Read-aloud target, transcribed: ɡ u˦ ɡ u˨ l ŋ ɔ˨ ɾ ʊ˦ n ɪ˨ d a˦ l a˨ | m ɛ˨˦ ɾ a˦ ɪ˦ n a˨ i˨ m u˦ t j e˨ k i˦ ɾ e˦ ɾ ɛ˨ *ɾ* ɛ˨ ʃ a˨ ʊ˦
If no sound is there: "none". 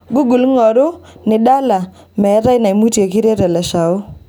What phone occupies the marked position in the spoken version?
l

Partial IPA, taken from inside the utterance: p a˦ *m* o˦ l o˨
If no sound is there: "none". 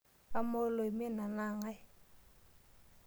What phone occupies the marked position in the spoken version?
m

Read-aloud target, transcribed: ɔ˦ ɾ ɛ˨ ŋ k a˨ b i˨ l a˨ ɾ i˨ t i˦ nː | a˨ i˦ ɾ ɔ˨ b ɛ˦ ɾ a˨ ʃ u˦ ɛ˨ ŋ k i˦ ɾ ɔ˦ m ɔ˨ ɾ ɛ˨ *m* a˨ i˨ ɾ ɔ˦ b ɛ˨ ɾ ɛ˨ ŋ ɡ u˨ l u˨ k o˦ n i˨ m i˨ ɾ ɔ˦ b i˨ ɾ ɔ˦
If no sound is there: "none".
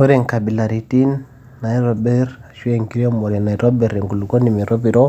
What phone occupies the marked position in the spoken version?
n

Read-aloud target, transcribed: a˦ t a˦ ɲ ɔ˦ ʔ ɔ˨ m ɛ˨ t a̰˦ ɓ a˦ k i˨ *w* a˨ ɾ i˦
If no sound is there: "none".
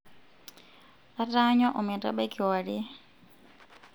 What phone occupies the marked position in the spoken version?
w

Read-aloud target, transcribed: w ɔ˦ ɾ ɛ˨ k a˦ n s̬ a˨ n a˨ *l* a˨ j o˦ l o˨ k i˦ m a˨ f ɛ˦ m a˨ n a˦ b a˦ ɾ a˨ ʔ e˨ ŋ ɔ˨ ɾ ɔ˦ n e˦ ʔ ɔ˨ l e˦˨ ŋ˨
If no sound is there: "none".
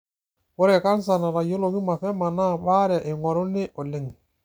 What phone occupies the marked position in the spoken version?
ɾ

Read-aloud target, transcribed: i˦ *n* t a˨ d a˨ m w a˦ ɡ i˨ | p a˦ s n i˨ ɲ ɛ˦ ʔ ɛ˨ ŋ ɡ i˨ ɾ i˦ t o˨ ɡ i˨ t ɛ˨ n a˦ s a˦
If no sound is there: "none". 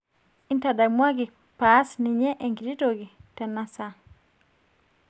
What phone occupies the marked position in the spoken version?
n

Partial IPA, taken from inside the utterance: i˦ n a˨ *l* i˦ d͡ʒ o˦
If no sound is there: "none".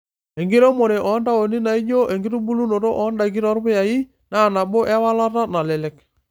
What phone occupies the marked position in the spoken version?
none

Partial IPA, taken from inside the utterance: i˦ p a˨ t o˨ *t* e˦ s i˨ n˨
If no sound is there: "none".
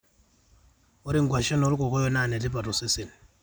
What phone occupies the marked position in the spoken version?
s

